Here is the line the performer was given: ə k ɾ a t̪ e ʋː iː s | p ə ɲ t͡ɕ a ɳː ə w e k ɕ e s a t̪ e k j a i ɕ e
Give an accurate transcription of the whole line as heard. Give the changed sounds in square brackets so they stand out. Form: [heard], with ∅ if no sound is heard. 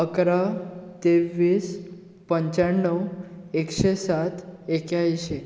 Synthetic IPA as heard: ə k ɾ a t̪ e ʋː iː s | p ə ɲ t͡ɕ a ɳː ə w e k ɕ e s a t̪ e k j a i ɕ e